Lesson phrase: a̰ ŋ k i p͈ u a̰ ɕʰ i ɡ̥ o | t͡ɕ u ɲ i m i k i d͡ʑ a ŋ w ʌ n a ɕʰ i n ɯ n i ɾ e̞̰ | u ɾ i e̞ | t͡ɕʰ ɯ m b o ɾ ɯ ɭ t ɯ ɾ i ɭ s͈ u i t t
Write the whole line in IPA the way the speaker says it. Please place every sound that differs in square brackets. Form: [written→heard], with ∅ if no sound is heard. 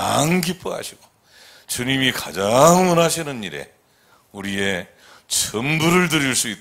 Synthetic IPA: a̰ ŋ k i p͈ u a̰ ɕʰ i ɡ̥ o | t͡ɕ u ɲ i m i k [i→a] d͡ʑ a ŋ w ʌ n a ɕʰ i n ɯ n i ɾ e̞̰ | u ɾ i e̞ | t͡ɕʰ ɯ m b [o→u] ɾ ɯ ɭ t ɯ ɾ i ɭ s͈ u i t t

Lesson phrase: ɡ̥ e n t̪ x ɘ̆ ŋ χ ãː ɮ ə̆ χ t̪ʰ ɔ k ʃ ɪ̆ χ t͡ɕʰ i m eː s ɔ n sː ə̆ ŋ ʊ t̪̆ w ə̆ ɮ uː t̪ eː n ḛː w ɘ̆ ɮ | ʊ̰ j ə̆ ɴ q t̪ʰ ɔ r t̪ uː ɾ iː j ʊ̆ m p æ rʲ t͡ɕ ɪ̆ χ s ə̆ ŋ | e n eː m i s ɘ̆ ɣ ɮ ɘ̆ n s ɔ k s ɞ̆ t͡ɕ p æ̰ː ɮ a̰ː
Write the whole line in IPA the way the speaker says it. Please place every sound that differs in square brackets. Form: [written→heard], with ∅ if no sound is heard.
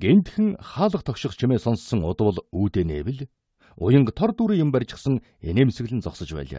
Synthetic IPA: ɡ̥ e n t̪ x ɘ̆ ŋ χ [ãː→aː] ɮ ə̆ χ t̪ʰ ɔ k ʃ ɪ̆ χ t͡ɕʰ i m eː s ɔ n sː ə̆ ŋ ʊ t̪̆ w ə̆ ɮ uː t̪ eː n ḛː w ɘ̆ ɮ | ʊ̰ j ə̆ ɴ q t̪ʰ ɔ r t̪ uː ɾ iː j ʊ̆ m p æ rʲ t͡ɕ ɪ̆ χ s ə̆ ŋ | e n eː m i s ɘ̆ ɣ ɮ ɘ̆ n [s→t͡s] ɔ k s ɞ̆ t͡ɕ p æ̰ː ɮ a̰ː

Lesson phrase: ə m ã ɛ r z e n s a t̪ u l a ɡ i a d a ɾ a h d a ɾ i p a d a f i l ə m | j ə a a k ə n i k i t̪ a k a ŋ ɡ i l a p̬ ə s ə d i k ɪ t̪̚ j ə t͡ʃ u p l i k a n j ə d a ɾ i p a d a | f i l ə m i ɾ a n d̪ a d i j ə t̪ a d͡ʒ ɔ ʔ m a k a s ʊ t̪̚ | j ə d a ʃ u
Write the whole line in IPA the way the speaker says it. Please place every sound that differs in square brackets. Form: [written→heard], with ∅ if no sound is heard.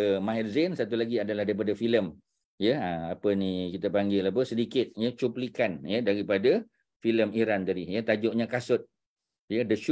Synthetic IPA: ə m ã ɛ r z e n s a t̪ u l a ɡ i a d a [ɾ→l] a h d a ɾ i p a d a f i l ə m | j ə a a [k→p] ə n i k i t̪ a [k→p] a ŋ ɡ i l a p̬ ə s ə d i k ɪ t̪̚ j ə t͡ʃ u p l i k a n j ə d a ɾ i p a d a | f i l ə m i ɾ a n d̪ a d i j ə t̪ a d͡ʒ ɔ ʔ [m→ɲ] a k a s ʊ t̪̚ | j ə d [a→ə] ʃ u

